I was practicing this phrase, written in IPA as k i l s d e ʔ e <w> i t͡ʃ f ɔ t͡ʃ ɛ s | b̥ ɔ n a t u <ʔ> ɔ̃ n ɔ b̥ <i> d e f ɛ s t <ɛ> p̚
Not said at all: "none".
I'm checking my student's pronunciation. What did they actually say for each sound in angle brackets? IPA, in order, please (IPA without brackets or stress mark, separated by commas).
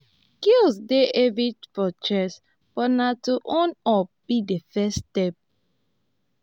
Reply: v, ʔ, i, ɛ